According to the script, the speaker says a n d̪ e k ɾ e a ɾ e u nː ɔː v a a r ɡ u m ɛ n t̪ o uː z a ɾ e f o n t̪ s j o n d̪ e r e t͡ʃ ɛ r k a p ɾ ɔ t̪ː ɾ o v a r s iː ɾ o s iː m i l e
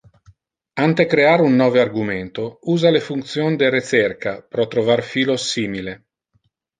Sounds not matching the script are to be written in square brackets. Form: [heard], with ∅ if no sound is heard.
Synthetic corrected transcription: a n [t̪] e k ɾ e a ɾ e u nː ɔː v [e] a r ɡ u m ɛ n t̪ o uː z a [l] e f [u] n t̪ s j o n d̪ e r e t͡ʃ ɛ r k a p ɾ ɔ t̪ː ɾ o v a r [f] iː [l] o s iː m i l e